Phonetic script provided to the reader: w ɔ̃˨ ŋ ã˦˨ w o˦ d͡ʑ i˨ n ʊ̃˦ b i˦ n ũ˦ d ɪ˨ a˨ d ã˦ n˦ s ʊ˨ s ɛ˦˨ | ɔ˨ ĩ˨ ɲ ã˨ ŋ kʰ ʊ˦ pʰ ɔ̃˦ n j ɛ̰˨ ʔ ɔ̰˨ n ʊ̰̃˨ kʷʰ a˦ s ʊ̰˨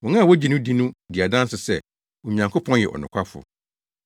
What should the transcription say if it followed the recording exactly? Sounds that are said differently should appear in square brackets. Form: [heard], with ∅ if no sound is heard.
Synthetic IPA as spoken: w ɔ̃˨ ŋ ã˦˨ w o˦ d͡ʑ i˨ n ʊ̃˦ [d] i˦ n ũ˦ d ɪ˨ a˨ d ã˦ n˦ s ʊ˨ s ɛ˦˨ | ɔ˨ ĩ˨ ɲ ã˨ ŋ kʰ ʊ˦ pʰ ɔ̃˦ n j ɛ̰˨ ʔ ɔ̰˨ n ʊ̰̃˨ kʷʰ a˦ [f] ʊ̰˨